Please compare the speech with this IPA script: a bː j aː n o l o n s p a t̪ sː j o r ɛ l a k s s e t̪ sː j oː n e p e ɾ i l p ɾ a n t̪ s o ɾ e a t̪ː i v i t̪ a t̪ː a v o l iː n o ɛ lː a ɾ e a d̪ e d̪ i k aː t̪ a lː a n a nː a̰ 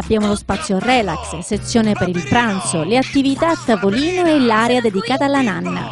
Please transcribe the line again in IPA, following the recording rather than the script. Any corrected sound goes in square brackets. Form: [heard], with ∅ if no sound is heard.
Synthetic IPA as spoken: a bː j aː [m] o l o [∅] s p a t̪ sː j o r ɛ l a k s s e t̪ sː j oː n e p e ɾ i l p ɾ a n t̪ s o [l] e a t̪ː i v i t̪ a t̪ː a v o l iː n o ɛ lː a ɾ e a d̪ e d̪ i k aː t̪ a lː a n a nː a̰